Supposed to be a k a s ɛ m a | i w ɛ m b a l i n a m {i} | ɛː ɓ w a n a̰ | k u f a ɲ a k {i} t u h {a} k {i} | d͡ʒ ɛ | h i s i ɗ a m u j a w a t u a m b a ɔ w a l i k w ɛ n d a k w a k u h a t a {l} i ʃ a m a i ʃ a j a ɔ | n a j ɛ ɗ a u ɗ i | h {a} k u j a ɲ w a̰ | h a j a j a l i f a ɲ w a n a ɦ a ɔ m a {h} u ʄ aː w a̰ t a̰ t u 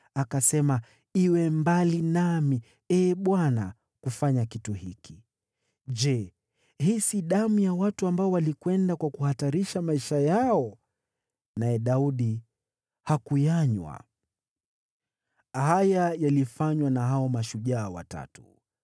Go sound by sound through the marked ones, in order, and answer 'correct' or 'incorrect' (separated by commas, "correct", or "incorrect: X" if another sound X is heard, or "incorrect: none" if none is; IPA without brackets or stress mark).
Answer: correct, correct, incorrect: i, correct, incorrect: ɾ, correct, incorrect: ʃ